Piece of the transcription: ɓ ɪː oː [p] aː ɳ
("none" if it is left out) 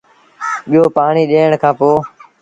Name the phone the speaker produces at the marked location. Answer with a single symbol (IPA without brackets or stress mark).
p